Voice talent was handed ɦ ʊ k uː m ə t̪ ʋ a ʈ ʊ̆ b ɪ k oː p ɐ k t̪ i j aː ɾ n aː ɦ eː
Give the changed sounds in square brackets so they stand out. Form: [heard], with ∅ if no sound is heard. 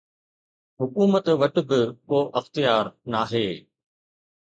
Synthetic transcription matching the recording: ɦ ʊ k uː m ə t̪ ʋ [ɐ] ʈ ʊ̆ b ɪ k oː [ʔ] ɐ [x] t̪ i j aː ɾ n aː ɦ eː